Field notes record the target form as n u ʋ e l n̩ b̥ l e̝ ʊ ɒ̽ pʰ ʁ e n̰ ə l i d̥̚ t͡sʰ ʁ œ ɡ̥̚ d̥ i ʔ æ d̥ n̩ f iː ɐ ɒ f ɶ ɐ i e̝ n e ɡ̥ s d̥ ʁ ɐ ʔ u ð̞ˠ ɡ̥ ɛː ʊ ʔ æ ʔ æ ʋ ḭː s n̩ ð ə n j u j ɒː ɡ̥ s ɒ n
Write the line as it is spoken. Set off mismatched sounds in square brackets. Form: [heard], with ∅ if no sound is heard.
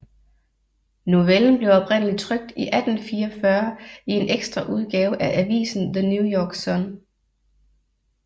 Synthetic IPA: n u ʋ e l n̩ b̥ l e̝ ʊ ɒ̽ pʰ ʁ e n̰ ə l i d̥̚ t͡sʰ ʁ œ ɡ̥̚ d̥ i ʔ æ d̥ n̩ f iː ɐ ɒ f ɶ ɐ i e̝ n e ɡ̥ s d̥ ʁ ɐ ʔ u ð̞ˠ ɡ̥ ɛː ʊ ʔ æ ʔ æ ʋ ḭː s n̩ ð ə n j u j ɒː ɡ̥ s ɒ n